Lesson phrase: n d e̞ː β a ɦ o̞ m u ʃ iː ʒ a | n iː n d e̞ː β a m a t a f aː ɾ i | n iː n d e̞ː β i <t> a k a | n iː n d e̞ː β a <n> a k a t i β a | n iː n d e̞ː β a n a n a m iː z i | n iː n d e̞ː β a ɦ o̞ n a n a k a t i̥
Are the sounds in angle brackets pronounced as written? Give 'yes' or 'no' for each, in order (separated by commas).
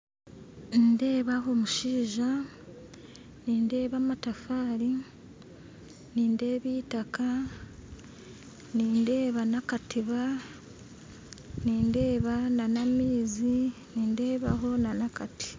yes, yes